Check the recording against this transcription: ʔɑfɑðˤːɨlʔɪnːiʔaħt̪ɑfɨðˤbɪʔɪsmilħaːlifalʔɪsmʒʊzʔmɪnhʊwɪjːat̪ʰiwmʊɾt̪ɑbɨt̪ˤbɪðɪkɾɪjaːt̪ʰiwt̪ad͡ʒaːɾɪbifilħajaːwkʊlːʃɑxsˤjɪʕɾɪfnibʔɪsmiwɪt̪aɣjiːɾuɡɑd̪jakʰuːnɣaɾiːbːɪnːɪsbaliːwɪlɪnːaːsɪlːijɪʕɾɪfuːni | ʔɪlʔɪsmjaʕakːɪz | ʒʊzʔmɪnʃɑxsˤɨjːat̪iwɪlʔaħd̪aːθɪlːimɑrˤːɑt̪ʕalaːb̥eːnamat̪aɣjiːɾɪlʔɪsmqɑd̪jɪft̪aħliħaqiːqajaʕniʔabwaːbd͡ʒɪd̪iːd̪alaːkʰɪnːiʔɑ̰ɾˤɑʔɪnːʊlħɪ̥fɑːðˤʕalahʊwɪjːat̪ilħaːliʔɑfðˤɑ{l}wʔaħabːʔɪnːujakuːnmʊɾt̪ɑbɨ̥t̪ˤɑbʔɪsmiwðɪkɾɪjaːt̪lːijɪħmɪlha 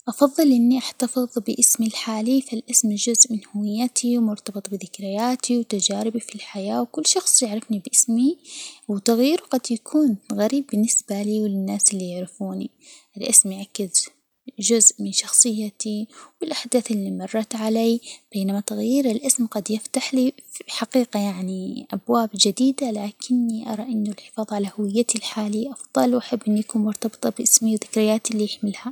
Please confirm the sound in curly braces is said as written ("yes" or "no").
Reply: yes